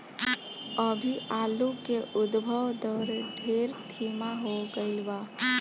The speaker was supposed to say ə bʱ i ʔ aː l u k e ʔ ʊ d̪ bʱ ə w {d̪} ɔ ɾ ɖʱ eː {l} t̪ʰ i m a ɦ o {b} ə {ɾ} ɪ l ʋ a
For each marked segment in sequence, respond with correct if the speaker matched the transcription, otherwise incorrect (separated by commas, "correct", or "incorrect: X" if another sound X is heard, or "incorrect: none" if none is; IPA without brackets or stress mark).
correct, incorrect: ɾ, incorrect: ɡ, incorrect: none